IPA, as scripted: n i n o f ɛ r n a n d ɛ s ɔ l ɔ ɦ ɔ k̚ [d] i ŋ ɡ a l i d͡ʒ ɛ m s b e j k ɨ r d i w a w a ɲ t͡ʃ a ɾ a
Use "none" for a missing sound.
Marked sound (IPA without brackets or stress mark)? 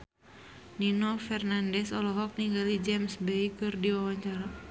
n